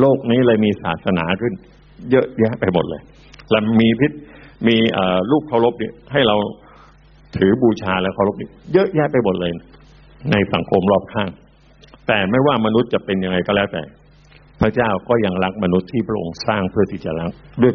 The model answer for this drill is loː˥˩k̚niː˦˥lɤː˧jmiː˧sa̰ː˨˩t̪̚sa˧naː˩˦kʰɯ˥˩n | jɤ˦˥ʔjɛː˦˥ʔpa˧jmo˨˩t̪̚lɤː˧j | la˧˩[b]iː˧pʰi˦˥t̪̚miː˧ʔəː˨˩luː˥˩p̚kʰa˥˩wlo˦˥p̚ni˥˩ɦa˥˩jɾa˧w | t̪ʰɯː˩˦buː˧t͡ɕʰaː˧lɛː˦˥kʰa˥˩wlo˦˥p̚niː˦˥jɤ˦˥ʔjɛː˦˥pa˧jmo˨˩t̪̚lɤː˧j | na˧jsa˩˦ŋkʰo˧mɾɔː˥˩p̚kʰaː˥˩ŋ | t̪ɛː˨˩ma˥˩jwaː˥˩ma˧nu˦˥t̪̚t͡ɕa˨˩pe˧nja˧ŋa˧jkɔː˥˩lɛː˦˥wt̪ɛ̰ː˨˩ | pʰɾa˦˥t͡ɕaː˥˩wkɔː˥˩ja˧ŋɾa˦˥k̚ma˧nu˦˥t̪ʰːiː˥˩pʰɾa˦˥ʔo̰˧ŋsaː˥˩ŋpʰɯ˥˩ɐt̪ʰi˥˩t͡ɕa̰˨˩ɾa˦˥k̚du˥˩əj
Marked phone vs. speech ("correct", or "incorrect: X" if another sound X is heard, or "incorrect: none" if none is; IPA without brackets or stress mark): incorrect: m